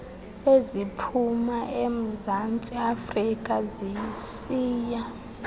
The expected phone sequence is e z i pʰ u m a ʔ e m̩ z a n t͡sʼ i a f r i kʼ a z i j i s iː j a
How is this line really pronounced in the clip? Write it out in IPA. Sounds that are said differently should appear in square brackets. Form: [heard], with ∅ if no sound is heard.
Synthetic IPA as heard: e z i pʰ u m a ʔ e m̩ z a n t͡sʼ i a f r i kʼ a z i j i s iː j a